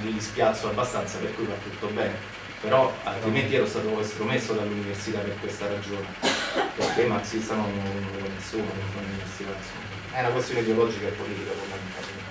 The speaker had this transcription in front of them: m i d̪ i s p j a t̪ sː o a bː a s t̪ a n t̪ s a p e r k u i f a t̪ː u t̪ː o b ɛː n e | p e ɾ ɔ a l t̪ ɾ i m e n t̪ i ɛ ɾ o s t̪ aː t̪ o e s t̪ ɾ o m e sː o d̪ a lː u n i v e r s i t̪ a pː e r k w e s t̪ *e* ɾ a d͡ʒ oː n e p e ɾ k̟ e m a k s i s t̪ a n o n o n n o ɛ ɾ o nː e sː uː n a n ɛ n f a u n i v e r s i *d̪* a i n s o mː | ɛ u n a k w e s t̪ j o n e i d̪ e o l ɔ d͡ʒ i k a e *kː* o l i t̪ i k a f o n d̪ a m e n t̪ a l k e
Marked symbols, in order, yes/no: no, no, no

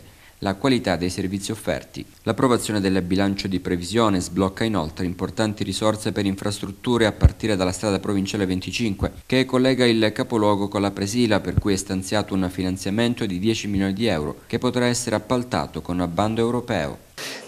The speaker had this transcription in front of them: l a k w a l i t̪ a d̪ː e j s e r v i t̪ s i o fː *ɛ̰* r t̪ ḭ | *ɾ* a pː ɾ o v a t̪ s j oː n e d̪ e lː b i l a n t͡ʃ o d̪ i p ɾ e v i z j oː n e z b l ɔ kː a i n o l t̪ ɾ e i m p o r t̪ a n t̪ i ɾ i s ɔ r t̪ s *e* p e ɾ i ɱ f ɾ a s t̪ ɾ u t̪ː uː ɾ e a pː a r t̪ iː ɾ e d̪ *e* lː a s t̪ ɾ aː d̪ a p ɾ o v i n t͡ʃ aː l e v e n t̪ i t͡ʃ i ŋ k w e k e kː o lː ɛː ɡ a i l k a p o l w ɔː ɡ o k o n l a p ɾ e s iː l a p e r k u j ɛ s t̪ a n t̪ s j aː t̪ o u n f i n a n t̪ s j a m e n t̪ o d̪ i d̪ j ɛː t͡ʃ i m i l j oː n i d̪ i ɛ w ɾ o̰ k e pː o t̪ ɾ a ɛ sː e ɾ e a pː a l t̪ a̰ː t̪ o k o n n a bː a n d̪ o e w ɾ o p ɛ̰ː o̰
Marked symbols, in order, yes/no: yes, no, yes, no

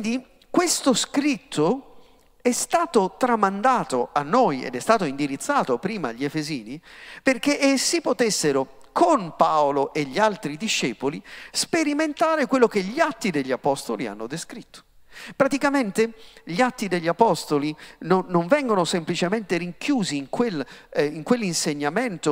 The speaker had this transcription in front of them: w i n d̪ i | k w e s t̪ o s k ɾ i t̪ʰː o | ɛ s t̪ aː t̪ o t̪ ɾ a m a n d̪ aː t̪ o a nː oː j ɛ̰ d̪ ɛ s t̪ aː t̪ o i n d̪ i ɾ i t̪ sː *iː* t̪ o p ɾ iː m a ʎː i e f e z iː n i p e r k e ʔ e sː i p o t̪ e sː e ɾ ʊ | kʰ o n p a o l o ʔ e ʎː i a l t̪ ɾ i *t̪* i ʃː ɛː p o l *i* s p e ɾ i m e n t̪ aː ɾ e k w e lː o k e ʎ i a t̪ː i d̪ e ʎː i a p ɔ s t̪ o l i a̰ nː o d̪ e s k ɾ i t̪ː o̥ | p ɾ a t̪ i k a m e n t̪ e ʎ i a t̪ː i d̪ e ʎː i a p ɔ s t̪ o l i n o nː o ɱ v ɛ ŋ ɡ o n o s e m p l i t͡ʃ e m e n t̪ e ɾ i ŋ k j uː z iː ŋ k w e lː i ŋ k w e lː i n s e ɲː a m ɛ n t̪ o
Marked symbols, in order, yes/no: no, no, yes

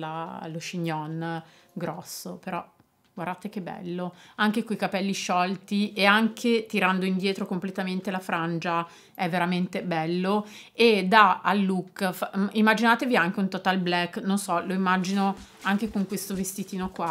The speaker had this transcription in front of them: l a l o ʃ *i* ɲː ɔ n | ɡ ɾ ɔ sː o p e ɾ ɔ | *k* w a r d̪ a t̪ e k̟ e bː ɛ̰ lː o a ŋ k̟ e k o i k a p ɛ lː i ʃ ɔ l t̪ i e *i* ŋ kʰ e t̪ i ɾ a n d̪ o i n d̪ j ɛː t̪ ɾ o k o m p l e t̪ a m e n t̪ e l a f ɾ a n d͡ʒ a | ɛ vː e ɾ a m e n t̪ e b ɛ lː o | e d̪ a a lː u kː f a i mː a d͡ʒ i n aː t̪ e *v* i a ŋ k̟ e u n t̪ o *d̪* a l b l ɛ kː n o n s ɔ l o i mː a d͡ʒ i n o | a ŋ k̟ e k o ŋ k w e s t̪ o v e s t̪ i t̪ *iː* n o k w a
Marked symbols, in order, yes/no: yes, no, no, yes, no, yes

